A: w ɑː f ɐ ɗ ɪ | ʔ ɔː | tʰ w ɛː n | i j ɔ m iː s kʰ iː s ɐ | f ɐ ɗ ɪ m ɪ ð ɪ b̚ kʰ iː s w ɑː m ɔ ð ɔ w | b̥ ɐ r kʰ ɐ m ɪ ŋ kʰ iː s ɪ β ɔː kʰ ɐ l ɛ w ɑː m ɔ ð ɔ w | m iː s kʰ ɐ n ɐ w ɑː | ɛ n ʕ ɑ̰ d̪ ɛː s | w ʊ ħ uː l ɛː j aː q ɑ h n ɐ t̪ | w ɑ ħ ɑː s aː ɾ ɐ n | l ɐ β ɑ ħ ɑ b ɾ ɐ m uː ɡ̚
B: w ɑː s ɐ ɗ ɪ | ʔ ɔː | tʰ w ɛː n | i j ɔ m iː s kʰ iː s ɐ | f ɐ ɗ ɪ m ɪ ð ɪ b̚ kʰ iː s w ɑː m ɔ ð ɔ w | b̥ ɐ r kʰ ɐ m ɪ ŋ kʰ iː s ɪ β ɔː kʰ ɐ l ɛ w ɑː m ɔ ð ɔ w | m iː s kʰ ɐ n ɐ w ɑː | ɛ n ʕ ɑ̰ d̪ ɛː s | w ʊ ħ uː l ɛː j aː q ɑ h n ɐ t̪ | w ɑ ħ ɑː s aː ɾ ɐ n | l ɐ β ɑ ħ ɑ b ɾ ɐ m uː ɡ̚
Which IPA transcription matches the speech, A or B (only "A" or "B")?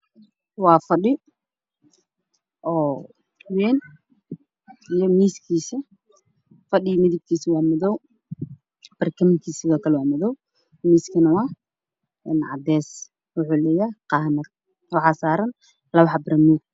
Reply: A